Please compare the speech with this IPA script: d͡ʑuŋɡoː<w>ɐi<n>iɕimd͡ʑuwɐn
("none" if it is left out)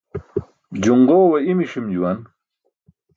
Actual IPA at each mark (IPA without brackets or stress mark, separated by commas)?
w, m